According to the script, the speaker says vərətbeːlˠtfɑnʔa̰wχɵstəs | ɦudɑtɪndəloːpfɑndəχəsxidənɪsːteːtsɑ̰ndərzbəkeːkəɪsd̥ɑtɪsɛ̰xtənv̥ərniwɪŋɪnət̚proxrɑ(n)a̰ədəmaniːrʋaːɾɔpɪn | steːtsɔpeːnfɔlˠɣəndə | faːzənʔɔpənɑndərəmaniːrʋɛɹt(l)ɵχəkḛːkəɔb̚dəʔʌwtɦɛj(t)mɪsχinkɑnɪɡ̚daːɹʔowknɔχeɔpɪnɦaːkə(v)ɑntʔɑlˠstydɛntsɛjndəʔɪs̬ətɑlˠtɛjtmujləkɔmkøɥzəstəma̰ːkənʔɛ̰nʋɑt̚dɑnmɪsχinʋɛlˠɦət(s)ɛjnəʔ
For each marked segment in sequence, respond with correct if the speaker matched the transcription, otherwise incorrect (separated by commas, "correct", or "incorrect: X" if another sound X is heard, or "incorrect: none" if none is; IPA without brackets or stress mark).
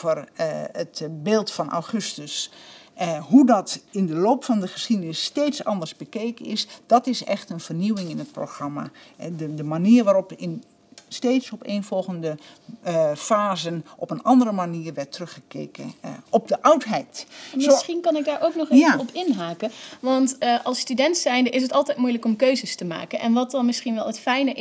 incorrect: m, incorrect: r, correct, incorrect: ʋ, incorrect: f